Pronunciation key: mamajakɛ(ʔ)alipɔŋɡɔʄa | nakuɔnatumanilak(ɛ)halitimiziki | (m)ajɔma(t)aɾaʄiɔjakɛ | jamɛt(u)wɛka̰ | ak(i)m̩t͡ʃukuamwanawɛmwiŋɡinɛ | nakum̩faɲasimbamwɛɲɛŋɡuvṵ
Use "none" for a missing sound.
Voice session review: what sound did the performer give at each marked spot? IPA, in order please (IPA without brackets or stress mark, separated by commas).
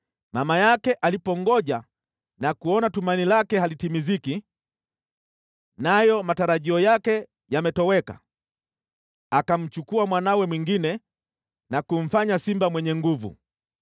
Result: ʔ, ɛ, n, t, ɔ, a